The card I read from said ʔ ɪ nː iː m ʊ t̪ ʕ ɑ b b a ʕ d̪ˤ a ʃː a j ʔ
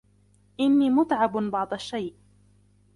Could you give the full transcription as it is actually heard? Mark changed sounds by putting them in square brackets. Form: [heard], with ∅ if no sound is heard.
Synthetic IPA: ʔ ɪ nː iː m ʊ t̪ ʕ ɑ b b [ɑ] ʕ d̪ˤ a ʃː a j ʔ